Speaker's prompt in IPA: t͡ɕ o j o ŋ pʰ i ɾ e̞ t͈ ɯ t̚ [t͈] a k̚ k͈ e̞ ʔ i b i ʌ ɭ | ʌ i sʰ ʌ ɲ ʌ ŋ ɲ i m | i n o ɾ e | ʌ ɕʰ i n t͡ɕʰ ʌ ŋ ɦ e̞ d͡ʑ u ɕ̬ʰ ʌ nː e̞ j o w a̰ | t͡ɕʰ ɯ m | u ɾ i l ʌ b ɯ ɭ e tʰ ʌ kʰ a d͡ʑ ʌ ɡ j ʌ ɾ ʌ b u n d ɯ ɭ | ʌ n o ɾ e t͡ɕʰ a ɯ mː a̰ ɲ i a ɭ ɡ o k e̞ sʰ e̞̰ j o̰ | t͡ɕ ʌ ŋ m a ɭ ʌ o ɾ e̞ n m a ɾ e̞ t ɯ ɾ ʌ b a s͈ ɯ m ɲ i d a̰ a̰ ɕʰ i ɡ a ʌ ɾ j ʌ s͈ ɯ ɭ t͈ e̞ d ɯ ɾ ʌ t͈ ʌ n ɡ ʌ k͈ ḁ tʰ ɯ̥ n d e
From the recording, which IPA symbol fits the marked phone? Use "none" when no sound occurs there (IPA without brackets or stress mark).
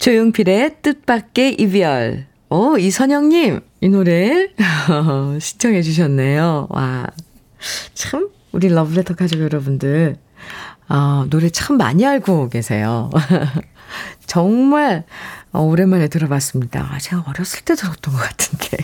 p͈